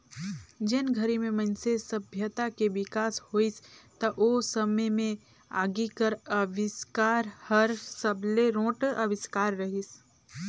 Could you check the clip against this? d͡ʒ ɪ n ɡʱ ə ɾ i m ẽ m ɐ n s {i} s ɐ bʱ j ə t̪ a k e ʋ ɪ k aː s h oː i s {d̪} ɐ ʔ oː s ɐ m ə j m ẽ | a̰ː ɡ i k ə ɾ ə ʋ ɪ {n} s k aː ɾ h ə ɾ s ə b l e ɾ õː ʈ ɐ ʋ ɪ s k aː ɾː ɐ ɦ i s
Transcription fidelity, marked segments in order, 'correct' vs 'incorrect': incorrect: e, incorrect: t̪, incorrect: none

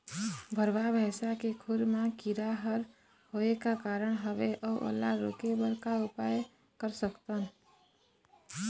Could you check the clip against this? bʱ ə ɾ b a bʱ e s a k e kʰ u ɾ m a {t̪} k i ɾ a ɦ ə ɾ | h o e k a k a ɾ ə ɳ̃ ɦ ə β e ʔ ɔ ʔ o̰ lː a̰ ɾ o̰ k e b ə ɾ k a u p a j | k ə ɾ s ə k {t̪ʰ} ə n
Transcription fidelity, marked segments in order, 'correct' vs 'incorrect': incorrect: none, incorrect: t̪

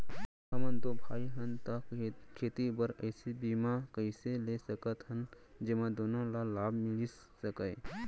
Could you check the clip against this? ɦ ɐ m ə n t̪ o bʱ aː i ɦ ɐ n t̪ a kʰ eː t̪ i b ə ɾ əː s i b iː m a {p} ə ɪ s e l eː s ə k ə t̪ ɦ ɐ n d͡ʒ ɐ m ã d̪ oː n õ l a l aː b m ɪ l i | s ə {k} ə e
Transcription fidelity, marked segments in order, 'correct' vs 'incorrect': incorrect: k, correct

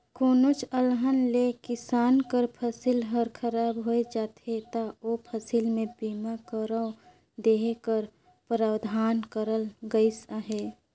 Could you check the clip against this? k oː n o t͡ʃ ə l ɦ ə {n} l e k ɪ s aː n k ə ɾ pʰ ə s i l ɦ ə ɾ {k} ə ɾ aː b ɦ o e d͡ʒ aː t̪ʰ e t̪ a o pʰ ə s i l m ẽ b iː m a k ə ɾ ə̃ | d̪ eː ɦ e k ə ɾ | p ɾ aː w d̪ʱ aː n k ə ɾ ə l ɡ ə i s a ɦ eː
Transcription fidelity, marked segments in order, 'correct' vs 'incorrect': correct, incorrect: kʰ

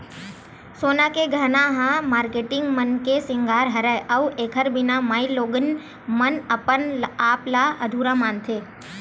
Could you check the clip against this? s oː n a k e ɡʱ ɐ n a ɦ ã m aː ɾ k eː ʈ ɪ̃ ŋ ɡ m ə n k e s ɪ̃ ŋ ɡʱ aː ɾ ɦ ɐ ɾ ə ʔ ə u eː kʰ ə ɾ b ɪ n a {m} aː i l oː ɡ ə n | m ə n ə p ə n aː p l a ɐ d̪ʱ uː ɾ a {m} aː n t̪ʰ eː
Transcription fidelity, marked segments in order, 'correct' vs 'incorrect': correct, correct

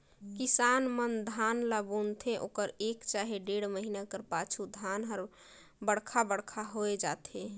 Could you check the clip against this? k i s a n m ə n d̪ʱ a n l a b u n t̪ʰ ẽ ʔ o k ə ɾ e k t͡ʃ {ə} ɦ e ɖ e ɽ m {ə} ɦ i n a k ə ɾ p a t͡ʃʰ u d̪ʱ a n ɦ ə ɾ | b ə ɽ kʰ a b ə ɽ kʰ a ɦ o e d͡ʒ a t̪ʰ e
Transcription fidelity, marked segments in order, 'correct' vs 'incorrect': incorrect: a, correct

